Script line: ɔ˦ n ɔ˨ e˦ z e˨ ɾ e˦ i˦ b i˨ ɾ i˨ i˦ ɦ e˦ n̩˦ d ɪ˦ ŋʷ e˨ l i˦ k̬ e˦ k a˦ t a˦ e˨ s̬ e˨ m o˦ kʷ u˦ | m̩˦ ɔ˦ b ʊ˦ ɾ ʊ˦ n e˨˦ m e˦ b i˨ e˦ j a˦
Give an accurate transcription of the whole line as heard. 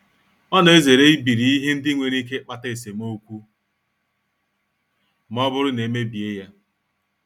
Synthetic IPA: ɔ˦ n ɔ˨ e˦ z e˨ ɾ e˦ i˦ b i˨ ɾ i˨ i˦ ɦ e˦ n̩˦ d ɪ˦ ŋʷ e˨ ɾ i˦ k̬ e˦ k͡p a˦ t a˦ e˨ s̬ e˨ m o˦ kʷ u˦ | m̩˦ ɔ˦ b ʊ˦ ɾ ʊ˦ n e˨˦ m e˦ b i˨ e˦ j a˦